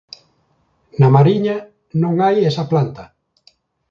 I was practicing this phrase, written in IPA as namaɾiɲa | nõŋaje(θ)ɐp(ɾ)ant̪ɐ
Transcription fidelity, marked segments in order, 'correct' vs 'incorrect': incorrect: s, incorrect: l

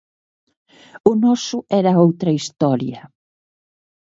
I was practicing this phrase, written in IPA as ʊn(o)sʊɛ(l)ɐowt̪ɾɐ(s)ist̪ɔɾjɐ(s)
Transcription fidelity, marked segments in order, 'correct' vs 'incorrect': incorrect: ɔ, incorrect: ɾ, incorrect: none, incorrect: none

